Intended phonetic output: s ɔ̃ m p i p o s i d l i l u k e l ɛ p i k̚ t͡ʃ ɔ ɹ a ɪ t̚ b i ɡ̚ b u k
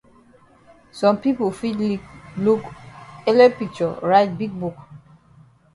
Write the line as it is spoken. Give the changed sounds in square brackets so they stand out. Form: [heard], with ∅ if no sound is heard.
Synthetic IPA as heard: s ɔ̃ m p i p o [f] i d l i l u k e l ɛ p i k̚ t͡ʃ ɔ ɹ a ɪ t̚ b i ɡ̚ b u k